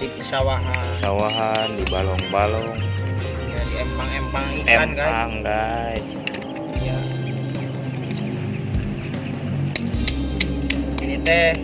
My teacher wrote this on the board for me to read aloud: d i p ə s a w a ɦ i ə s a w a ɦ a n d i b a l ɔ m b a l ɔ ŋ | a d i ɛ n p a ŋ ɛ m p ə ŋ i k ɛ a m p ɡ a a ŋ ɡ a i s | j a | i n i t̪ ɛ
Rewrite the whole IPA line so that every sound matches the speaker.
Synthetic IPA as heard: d i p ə s a w a ɦ a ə s a w a ɦ a n d i b a l ɔ ŋ b a l ɔ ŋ | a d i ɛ m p a ŋ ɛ m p a ŋ i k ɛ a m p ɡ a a ŋ ɡ a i s | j a | i n i t̪ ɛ